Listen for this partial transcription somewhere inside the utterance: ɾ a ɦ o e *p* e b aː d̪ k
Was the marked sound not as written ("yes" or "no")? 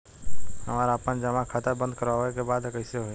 yes